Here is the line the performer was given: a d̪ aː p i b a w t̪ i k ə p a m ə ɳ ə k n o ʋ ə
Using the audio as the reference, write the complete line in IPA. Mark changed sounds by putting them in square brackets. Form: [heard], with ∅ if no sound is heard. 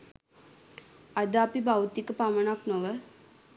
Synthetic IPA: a d̪ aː p i b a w t̪ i k ə p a m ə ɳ [a] k n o ʋ ə

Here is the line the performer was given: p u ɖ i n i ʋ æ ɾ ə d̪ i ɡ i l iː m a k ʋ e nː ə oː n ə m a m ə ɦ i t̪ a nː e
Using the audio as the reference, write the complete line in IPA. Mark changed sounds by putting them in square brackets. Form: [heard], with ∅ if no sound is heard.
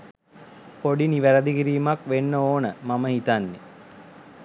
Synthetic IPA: p [o] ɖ i n i ʋ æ ɾ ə d̪ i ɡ i [ɾ] iː m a k ʋ e nː ə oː n ə m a m ə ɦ i t̪ a nː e

